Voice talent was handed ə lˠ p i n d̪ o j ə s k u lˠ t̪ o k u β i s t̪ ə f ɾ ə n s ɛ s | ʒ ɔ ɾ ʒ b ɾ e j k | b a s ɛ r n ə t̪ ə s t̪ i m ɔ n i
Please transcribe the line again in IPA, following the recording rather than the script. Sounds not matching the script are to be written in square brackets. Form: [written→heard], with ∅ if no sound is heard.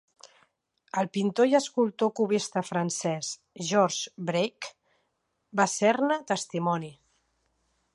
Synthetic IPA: ə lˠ p i n [d̪→t̪] o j ə s k u lˠ t̪ o k u β i s t̪ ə f ɾ ə n s ɛ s | ʒ ɔ ɾ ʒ b ɾ e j k | b a s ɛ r n ə t̪ ə s t̪ i m ɔ n i